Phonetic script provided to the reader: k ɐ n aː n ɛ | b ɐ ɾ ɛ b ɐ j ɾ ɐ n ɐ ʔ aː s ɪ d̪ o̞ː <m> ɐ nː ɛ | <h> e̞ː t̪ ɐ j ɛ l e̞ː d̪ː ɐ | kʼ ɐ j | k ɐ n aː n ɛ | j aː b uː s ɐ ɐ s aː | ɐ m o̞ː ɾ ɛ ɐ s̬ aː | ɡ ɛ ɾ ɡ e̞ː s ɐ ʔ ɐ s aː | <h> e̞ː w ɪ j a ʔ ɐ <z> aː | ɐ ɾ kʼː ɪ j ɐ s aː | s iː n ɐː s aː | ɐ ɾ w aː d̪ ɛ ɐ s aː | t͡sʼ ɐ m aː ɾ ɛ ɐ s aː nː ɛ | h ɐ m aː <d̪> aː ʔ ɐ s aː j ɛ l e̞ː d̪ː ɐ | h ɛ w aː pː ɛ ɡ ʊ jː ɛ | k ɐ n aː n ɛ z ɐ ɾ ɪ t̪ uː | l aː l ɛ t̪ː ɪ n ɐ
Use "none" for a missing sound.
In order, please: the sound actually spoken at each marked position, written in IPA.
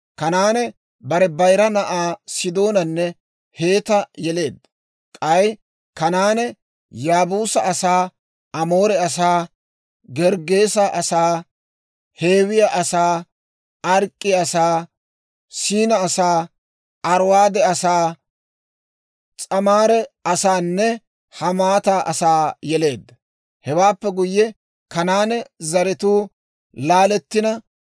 n, h, h, s, t̪

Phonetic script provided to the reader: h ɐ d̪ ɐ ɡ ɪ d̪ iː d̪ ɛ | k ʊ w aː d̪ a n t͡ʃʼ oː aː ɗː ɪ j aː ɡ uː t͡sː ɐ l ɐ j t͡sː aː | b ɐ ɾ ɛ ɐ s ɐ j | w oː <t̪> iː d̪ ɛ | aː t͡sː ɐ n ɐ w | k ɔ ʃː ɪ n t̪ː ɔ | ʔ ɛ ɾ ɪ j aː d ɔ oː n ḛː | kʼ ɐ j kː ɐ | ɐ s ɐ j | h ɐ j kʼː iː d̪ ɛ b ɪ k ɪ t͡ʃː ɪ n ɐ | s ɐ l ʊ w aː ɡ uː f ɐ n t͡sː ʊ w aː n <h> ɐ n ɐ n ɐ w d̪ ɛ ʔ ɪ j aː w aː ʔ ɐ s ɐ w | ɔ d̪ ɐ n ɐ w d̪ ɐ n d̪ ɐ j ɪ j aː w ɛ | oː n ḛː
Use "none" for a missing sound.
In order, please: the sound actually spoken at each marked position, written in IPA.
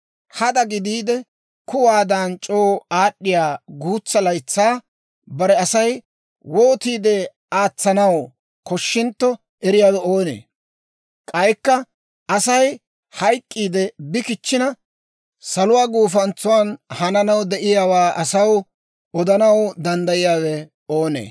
t̪, h

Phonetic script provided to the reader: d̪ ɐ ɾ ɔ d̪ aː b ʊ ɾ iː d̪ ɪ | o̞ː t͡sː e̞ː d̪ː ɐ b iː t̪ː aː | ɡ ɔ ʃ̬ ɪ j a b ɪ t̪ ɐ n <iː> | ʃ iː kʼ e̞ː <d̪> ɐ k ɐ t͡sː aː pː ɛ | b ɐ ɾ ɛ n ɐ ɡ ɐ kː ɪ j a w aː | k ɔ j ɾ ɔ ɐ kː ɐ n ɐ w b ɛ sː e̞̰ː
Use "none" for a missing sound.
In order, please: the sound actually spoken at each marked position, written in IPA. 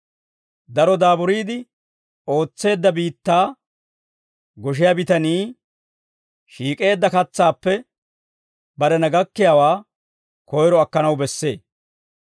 iː, d̪ː

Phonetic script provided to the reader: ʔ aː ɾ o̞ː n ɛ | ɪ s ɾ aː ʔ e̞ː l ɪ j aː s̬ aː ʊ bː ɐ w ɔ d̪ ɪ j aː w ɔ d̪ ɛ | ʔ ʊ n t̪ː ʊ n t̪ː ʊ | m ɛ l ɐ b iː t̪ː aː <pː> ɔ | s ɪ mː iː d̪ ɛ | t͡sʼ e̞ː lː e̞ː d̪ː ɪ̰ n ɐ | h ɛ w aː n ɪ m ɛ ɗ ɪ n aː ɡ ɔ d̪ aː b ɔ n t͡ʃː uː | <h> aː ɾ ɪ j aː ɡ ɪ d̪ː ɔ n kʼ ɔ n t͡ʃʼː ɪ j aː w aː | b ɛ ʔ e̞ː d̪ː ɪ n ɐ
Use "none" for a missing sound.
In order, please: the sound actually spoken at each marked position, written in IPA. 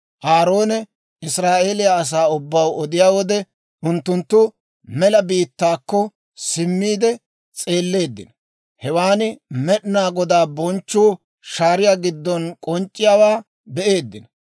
kː, ʃ

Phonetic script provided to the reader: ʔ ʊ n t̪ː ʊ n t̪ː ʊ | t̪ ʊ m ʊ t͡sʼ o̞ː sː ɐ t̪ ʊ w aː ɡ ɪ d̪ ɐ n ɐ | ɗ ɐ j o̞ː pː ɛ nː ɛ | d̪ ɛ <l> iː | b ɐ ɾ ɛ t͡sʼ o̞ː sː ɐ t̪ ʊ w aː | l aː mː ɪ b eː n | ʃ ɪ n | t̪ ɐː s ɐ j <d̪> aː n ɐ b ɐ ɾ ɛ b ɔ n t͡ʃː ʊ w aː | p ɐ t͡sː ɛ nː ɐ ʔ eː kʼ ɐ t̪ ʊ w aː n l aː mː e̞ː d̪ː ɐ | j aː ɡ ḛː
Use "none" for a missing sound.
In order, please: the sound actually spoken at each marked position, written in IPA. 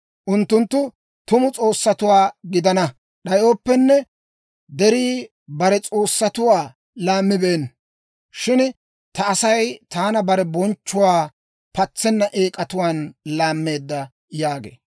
ɾ, t̪

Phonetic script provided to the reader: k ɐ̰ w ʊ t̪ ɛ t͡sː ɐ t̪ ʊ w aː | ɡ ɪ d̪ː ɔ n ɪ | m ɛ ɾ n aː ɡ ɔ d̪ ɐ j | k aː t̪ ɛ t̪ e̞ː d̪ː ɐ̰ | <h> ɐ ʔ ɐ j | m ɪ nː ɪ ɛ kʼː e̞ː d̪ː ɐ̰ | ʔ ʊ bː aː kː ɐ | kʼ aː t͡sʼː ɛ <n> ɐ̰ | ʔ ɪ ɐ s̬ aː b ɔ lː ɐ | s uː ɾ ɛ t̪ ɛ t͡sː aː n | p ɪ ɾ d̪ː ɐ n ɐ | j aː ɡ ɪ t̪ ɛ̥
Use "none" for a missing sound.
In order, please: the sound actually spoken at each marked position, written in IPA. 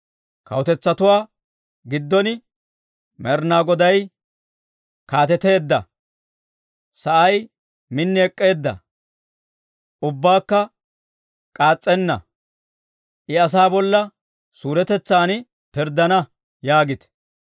s, nː

